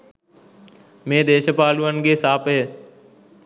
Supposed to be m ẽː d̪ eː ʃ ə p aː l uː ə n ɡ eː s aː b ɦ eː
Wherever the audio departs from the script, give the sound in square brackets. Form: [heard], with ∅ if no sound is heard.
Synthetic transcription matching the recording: m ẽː d̪ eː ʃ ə p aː l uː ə n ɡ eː s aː [p] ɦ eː